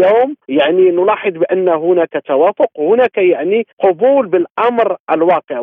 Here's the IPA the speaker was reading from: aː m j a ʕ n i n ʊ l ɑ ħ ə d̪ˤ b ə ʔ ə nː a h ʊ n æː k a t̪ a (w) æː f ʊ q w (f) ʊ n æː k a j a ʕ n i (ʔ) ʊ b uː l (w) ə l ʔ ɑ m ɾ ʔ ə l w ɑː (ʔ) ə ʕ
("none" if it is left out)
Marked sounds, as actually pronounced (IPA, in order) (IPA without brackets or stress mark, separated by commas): w, h, q, b, q